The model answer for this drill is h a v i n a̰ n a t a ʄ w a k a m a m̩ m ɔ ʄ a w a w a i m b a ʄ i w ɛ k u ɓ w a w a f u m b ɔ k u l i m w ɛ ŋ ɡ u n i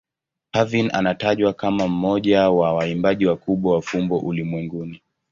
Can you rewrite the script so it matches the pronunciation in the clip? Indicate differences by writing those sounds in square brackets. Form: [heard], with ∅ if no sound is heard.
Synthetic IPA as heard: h a v i n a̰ n a t a ʄ w a k a m a m̩ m ɔ ʄ a w a w a i m b a ʄ i w [a] k u ɓ w a w a f u m b ɔ [ʔ] u l i m w ɛ ŋ ɡ u n i